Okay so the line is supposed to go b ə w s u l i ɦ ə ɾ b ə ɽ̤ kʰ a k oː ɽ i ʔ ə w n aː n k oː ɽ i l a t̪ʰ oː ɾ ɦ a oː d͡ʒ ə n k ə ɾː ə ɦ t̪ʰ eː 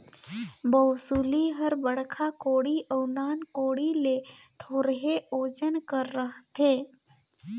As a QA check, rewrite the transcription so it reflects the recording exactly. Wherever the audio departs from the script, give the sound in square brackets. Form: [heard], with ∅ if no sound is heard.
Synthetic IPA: b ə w s u l i ɦ ə ɾ b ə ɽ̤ kʰ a k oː ɽ i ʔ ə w n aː n k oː ɽ i l [e] t̪ʰ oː ɾ ɦ [e] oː d͡ʒ ə n k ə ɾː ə ɦ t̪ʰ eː

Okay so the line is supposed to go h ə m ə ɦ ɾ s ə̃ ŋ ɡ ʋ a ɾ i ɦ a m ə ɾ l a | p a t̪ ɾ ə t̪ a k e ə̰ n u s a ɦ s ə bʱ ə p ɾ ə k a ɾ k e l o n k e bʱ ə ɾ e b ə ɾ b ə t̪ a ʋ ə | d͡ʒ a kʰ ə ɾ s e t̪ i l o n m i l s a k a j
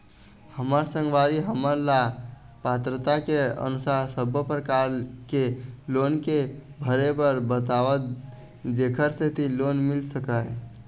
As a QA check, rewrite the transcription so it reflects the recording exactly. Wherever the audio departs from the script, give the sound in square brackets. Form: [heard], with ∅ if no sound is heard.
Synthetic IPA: h ə m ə [∅] ɾ s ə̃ ŋ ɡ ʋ a ɾ i ɦ [ə] m ə ɾ l a | p a t̪ ɾ ə t̪ a k e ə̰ n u s a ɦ s ə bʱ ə p ɾ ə k a ɾ k e l o n k e bʱ ə ɾ e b ə ɾ b ə t̪ a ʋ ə | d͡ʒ [e] kʰ ə ɾ s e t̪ i l o n m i l s [ə] k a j

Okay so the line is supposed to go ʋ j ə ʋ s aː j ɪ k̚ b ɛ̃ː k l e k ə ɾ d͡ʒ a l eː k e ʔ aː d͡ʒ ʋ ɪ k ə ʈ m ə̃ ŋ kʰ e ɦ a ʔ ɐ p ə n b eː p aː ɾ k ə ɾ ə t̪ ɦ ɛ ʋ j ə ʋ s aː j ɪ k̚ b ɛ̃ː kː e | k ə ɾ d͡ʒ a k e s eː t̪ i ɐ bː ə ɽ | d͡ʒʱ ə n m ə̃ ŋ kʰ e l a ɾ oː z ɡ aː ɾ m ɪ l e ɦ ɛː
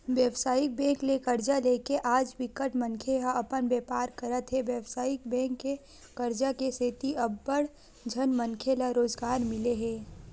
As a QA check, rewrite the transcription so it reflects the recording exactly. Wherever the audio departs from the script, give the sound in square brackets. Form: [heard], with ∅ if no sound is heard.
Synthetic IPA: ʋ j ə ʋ s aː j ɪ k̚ b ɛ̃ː k l e k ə ɾ d͡ʒ a l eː k e ʔ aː d͡ʒ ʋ ɪ k ə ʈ m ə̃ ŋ kʰ e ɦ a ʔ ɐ p ə n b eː p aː ɾ k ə ɾ ə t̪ ɦ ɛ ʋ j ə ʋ s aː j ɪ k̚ b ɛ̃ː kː e | k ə ɾ d͡ʒ a k e s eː t̪ i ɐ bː ə ɽ | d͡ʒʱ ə n m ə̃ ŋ kʰ e l a ɾ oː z ɡ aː ɾ m ɪ l e ɦ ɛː

